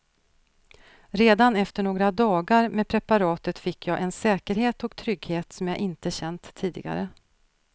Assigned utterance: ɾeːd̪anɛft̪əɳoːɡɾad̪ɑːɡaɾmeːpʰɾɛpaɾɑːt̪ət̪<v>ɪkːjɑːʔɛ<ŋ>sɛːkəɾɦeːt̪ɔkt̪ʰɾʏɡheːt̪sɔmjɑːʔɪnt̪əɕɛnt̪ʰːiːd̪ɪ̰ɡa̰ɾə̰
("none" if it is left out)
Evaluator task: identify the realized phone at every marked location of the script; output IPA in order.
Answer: f, n

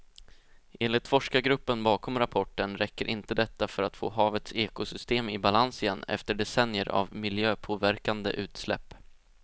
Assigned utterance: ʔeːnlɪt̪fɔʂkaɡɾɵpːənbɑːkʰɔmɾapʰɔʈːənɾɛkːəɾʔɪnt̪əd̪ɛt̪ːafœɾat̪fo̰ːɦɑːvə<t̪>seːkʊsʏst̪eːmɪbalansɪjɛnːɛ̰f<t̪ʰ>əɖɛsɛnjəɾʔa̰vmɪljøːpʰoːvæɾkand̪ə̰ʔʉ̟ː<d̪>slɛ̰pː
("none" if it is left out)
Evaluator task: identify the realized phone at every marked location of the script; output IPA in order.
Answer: t̪, t̪, t̪

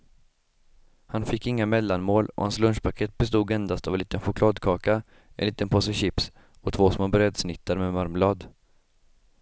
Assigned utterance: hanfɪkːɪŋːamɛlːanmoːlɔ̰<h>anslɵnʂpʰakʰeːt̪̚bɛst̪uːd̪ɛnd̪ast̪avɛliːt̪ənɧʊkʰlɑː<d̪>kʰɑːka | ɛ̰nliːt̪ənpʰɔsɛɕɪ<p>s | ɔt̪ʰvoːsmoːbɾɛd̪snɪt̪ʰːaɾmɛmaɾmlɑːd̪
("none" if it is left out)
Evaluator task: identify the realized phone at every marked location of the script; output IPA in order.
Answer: h, d̪, p

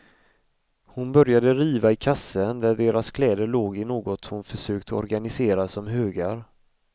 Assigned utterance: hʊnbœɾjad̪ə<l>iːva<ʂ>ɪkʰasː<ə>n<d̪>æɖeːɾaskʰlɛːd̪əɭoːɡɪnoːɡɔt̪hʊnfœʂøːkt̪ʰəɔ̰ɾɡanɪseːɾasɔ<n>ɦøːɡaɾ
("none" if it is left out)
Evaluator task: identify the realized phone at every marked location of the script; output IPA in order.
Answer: ɾ, none, ə, d̪, m

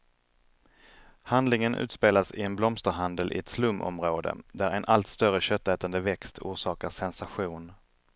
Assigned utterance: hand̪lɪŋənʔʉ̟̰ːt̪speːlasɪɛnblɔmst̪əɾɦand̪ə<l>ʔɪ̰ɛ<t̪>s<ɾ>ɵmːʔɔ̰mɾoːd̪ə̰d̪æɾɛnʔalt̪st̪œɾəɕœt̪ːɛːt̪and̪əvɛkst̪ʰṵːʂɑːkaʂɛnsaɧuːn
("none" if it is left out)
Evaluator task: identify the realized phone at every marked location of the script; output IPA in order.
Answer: l, t̪, l

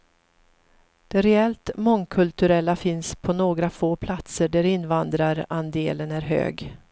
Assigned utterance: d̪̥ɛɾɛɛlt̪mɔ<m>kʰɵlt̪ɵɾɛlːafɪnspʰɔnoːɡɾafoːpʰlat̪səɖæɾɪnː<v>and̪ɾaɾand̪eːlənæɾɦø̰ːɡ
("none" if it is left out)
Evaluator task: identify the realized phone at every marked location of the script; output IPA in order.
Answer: ŋ, v

